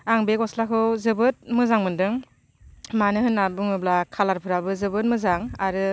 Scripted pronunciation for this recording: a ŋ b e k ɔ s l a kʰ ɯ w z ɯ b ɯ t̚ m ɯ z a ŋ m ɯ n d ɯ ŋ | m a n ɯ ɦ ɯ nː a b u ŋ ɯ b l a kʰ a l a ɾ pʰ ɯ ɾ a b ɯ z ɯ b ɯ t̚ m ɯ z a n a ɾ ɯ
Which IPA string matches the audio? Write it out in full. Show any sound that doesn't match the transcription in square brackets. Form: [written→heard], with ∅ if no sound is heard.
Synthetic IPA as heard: a ŋ b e k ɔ s l a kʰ ɯ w z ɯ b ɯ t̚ m ɯ z a ŋ m ɯ n d ɯ ŋ | m a n ɯ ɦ ɯ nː a b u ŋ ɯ b l a kʰ a l a ɾ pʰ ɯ ɾ a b ɯ z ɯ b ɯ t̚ m ɯ z a [n→ŋ] a ɾ ɯ